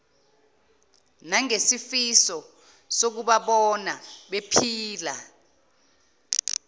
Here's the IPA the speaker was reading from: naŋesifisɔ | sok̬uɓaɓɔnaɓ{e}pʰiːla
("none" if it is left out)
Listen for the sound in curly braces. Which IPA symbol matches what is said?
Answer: e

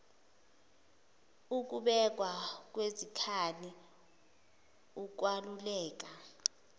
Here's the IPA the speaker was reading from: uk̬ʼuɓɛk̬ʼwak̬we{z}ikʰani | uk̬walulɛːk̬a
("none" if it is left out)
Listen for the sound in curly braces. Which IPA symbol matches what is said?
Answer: z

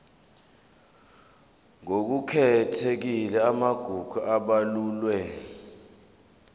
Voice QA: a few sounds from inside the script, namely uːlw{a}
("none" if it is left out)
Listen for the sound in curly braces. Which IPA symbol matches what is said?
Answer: ɛ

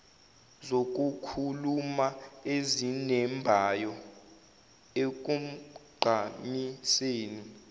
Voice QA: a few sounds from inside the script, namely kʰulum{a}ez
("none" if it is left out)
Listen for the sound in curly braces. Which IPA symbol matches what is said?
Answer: a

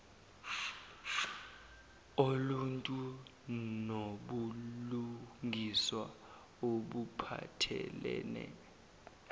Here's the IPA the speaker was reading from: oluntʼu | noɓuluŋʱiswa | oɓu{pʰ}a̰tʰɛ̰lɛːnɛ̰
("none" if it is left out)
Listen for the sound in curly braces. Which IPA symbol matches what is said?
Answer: pʰ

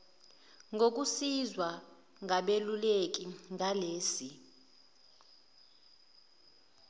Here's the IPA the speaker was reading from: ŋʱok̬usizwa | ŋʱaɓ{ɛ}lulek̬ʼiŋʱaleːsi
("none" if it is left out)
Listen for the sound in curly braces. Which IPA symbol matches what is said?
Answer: e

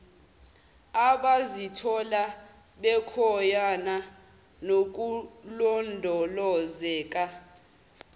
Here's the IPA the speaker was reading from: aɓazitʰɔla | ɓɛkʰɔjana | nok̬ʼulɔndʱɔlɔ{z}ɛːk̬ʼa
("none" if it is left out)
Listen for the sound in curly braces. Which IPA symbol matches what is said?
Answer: z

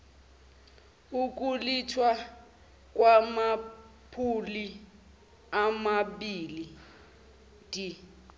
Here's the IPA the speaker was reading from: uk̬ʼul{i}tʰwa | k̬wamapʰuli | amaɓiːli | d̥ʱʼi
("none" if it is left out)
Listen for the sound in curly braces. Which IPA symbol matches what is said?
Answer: i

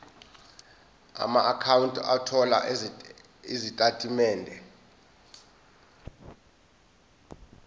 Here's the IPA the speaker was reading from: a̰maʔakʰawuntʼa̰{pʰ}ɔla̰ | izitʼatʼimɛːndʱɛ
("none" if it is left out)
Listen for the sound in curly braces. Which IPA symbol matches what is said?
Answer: tʰ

